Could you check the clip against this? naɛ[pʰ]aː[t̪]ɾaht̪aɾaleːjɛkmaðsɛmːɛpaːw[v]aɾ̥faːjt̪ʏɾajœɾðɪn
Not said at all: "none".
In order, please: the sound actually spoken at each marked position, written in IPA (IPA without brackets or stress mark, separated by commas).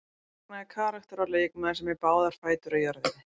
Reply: kʰ, none, ð